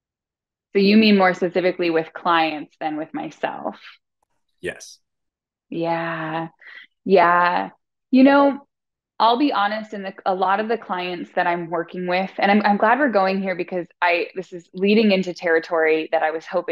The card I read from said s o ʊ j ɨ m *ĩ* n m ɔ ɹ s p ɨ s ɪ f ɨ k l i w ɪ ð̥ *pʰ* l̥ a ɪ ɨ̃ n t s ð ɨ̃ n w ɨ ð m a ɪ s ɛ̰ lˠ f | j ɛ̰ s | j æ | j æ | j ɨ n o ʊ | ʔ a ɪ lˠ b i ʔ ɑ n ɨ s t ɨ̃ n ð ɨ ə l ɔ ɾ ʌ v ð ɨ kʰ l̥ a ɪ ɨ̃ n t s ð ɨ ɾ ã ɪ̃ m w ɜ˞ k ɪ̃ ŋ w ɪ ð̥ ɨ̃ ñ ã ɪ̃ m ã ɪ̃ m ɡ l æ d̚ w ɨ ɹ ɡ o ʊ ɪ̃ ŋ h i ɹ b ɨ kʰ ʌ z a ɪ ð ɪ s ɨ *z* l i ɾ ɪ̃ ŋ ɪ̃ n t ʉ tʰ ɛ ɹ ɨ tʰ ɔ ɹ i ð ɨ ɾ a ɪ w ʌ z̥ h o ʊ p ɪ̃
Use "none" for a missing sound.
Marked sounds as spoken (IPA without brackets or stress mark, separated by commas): ĩ, kʰ, z